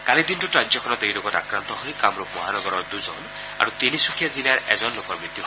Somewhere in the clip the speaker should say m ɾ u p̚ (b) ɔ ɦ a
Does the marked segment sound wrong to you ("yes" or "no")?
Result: yes